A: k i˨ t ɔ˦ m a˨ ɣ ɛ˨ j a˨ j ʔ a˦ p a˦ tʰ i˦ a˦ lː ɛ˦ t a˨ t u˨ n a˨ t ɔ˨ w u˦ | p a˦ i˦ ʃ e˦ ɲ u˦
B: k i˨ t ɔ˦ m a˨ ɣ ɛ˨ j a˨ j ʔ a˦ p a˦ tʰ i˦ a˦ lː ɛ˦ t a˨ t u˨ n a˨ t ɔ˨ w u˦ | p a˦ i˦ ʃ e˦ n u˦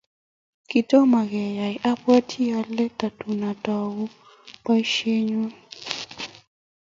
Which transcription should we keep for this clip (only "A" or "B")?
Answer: A